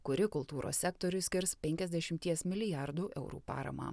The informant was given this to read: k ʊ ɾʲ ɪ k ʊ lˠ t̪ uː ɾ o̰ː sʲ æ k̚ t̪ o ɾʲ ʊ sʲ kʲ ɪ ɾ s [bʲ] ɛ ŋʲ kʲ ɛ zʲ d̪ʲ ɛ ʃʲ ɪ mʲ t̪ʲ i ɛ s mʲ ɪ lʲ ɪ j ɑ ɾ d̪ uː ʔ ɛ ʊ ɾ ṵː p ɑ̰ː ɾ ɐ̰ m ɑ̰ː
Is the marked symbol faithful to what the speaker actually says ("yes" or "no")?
no